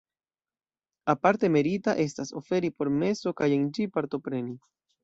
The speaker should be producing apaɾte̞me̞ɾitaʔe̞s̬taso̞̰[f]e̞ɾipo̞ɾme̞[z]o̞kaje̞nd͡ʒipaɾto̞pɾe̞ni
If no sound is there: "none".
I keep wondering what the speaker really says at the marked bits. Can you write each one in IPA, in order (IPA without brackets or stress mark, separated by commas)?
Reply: f, s